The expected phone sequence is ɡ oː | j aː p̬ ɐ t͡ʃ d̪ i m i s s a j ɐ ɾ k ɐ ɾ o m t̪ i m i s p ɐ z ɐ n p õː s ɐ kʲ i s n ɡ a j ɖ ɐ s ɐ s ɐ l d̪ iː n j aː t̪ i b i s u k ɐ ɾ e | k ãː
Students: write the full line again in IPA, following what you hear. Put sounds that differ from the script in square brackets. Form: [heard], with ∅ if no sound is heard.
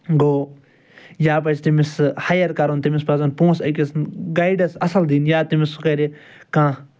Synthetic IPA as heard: ɡ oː | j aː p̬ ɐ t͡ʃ [t̪] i m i s [h] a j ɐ ɾ k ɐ ɾ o [n] t̪ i m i s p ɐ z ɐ n p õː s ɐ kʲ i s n ɡ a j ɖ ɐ s ɐ s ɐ l d̪ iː n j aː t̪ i [m] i s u k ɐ ɾ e | k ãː